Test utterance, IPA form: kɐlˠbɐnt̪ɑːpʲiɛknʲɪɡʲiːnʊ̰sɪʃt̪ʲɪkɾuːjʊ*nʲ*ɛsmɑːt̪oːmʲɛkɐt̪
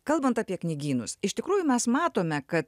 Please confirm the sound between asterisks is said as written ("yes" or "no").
no